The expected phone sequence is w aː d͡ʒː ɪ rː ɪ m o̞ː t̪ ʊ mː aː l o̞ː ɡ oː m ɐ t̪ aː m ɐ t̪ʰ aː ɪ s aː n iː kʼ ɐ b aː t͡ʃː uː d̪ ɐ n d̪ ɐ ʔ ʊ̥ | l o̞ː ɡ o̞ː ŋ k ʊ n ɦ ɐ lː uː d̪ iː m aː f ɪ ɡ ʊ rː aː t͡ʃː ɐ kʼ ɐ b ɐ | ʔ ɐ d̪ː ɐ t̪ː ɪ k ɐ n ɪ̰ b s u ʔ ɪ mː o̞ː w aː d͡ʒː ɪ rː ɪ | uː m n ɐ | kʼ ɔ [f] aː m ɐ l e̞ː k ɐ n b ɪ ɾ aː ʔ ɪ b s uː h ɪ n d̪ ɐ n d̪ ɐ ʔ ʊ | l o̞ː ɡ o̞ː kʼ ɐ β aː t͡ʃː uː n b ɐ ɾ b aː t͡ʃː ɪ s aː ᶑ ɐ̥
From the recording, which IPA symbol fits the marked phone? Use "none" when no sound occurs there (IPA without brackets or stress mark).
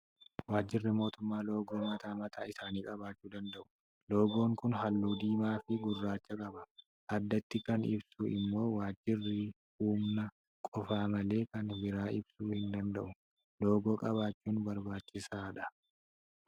f